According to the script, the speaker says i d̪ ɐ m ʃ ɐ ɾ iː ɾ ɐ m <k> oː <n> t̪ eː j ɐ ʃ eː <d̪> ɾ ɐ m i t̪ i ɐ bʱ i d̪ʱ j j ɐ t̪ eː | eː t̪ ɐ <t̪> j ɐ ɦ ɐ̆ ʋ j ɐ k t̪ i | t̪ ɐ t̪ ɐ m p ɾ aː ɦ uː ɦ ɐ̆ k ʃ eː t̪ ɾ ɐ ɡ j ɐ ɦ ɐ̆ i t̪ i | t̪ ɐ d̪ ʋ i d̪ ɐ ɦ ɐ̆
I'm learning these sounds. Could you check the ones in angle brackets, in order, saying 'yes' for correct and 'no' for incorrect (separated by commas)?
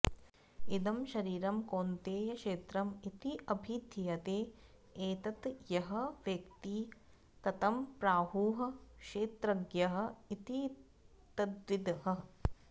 yes, yes, no, yes